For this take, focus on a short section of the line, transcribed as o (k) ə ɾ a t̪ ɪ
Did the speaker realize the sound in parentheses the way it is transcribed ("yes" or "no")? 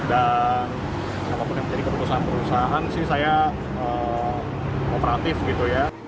no